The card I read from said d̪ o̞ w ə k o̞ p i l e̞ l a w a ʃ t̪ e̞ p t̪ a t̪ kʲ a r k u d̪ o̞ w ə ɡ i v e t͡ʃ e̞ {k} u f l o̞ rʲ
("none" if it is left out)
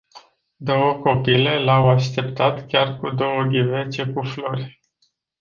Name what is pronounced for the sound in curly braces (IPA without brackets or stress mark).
k